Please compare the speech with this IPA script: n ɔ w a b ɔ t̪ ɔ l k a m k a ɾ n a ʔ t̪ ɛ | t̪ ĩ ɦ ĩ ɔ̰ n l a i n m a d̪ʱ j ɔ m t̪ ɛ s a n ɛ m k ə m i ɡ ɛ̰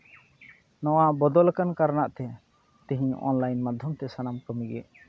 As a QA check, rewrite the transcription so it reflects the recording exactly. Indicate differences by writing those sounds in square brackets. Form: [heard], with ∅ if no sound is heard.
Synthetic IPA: n ɔ w a b ɔ [d̪] ɔ l k a [n] k a ɾ n a ʔ t̪ ɛ | t̪ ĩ ɦ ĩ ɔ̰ n l a [j] n m a d̪ʱ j ɔ m t̪ ɛ s a n [a] m k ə m i ɡ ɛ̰